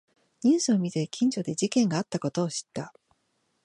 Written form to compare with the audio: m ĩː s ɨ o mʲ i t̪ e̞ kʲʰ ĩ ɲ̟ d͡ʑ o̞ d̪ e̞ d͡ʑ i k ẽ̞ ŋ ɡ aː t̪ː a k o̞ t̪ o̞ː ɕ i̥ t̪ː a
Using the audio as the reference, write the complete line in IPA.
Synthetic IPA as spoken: ɲ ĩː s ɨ o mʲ i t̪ e̞ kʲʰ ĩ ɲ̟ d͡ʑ o̞ d̪ e̞ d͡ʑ i k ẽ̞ ŋ ɡ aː t̪ː a k o̞ t̪ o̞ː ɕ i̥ t̪ː a